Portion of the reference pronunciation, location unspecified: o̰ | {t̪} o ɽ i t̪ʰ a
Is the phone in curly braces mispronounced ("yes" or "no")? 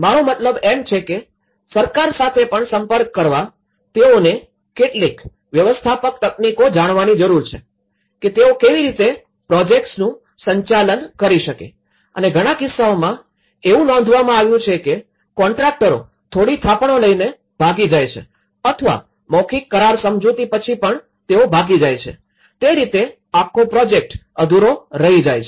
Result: yes